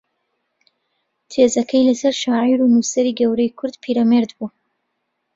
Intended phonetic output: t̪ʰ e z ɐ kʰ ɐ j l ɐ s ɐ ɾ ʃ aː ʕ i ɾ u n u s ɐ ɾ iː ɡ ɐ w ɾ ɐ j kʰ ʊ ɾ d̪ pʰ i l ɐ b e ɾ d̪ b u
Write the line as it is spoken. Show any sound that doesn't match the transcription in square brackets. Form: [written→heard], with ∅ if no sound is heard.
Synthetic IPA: t̪ʰ e z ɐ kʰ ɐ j l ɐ s ɐ ɾ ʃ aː ʕ i ɾ u n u s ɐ ɾ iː ɡ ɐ w ɾ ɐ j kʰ ʊ ɾ d̪ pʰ i [l→ɾ] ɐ [b→m] e ɾ d̪ b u

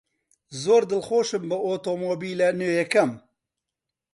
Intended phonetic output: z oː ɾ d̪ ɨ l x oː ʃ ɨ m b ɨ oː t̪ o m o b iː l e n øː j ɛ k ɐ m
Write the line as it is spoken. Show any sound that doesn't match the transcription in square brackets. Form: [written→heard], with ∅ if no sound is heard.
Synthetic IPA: z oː ɾ d̪ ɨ l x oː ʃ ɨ m b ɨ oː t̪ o m o b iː l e n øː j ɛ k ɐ m

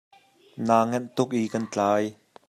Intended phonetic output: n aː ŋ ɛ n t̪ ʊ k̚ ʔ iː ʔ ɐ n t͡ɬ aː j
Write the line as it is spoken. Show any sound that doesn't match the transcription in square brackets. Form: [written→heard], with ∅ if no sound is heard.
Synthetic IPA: n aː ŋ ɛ n t̪ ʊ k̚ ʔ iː [ʔ→k] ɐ n t͡ɬ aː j

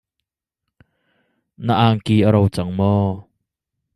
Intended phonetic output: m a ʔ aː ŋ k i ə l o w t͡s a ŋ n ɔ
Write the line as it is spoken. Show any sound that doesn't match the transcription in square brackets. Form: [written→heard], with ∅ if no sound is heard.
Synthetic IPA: [m→n] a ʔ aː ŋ k i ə [l→ɾ] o w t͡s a ŋ [n→m] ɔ

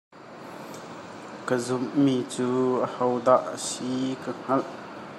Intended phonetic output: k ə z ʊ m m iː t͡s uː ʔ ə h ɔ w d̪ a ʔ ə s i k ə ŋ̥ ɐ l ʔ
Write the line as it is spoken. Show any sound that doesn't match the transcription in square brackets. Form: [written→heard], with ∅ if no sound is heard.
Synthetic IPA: k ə z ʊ m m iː t͡s uː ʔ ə h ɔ w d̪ a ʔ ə s i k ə ŋ̥ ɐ l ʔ

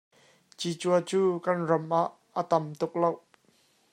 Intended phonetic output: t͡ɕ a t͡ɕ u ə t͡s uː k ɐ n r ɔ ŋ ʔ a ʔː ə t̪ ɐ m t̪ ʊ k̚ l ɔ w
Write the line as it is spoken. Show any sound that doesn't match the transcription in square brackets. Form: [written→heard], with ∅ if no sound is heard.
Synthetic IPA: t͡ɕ [a→i] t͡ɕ u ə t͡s uː k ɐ n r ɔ [ŋ→m] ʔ a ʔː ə t̪ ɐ m t̪ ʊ k̚ l [ɔ→o] w

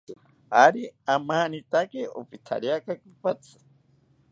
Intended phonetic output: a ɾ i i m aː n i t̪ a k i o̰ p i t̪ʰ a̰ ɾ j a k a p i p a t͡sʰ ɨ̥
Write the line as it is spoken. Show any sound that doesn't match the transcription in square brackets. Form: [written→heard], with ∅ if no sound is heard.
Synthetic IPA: a ɾ i [i→a] m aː n i t̪ a k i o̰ p i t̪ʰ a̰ ɾ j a k a [p→k] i p a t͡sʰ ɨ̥

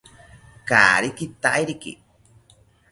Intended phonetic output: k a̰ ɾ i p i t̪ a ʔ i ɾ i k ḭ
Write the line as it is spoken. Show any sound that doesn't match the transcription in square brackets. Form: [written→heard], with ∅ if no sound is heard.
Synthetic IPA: k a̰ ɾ i [p→k] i t̪ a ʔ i ɾ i k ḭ

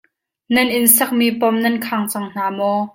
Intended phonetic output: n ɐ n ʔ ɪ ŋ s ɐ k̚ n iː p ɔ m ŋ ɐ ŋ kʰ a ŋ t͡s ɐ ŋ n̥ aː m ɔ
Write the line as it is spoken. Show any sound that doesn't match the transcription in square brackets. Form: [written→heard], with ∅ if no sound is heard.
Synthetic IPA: n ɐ n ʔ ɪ [ŋ→n] s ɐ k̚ [n→m] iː p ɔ m [ŋ→n] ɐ [ŋ→n] kʰ a ŋ t͡s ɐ ŋ n̥ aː m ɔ

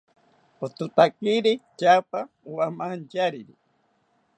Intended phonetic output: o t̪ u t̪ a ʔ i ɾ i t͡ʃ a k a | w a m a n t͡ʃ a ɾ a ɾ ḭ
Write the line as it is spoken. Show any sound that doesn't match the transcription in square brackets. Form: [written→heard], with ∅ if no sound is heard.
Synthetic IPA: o t̪ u t̪ a [ʔ→k] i ɾ i t͡ʃ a [k→p] a | w a m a n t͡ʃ a ɾ [a→i] ɾ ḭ

